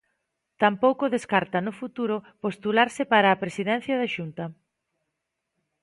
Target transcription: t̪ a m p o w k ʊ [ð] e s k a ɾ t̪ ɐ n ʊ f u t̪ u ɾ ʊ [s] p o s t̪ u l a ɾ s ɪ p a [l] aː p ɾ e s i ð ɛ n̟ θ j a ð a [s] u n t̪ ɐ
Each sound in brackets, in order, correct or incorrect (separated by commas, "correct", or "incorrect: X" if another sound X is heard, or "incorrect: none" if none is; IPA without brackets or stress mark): correct, incorrect: none, incorrect: ɾ, incorrect: ʃ